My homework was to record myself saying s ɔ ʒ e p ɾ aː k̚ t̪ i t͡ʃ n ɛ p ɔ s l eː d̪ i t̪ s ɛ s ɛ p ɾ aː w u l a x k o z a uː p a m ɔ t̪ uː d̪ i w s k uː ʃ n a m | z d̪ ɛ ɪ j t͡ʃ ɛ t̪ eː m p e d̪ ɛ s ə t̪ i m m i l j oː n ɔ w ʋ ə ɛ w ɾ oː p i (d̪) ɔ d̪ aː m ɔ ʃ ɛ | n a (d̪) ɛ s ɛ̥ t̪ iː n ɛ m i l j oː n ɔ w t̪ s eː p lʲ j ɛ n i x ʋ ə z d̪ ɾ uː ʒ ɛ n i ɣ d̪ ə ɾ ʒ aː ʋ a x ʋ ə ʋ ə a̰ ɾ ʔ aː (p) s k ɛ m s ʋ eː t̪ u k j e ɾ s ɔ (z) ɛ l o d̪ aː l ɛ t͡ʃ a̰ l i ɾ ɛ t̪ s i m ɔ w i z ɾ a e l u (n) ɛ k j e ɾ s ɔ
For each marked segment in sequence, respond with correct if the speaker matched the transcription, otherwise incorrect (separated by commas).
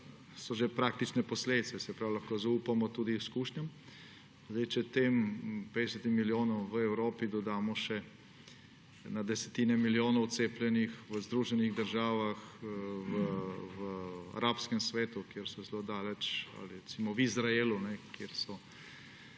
correct, correct, correct, correct, correct